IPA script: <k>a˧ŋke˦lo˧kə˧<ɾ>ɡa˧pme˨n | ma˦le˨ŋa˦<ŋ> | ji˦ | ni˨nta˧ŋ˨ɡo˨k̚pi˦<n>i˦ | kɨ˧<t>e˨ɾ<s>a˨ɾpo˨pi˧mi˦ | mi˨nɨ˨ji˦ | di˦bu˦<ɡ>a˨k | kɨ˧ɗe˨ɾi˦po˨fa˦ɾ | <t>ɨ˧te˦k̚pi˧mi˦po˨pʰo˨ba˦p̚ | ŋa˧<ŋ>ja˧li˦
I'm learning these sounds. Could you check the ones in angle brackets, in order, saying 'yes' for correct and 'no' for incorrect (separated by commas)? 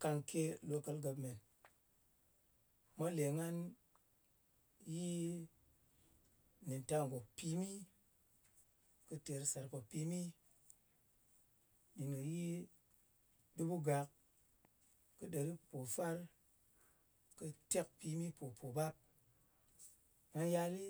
yes, no, no, no, yes, yes, yes, no, no